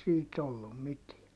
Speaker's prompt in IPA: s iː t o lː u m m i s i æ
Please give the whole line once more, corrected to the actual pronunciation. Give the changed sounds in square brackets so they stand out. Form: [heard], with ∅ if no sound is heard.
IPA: s iː t o lː u m m i [t] i æ